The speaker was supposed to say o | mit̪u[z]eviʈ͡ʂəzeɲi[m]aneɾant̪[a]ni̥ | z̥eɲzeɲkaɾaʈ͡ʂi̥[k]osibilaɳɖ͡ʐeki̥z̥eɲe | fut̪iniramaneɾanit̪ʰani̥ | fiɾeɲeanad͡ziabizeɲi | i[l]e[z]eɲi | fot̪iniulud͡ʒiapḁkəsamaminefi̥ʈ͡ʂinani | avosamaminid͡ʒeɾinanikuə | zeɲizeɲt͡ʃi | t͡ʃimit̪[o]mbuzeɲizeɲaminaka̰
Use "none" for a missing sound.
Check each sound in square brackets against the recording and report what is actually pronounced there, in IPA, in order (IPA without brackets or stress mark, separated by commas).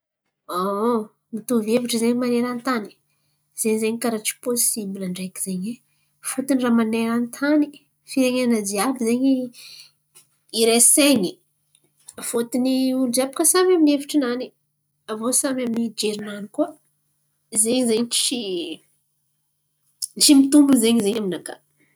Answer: v, m, a, p, ɾ, s, u